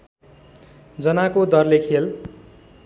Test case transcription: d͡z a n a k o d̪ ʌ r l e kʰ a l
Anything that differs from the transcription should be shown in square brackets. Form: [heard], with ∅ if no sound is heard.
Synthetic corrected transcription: d͡z [ʌ] n a k o d̪ ʌ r l e kʰ [e] l